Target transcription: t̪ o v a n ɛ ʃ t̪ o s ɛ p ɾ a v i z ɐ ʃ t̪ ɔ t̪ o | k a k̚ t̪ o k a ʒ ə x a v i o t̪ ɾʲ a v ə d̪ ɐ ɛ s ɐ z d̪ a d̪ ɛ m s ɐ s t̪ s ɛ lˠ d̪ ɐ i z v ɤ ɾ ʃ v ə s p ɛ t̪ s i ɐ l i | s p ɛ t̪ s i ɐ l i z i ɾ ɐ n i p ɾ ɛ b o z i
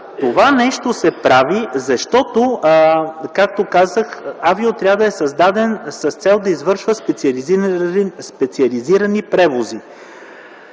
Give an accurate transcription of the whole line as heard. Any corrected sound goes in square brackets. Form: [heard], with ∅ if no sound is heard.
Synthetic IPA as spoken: t̪ o v a n ɛ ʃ t̪ o s ɛ p ɾ a v i z ɐ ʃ t̪ ɔ t̪ o | k a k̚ t̪ o k a [z] ə x a v i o t̪ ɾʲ a v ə d̪ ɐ ɛ s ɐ z d̪ a d̪ ɛ [n] s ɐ s t̪ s ɛ lˠ d̪ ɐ i z v ɤ ɾ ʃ v ə s p ɛ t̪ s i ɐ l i | s p ɛ t̪ s i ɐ l i z i ɾ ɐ n i p ɾ ɛ [v] o z i